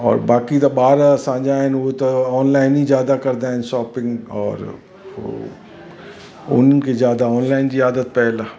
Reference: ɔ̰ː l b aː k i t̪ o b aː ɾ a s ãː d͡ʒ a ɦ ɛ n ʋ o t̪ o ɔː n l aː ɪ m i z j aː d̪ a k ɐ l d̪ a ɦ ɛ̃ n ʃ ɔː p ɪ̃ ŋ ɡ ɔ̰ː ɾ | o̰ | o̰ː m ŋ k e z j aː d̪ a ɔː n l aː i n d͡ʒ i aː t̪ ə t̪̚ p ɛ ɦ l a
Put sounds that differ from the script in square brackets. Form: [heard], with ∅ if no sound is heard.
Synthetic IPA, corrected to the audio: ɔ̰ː [ɾ] b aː k i t̪ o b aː ɾ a s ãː d͡ʒ a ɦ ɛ n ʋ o t̪ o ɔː n l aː ɪ [n] i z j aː d̪ a k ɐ [ɾ] d̪ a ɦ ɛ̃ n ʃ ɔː p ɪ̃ ŋ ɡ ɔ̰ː ɾ | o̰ | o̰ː [n] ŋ k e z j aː d̪ a ɔː n l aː [ɪ] n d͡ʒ i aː [d̪] ə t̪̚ p ɛ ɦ l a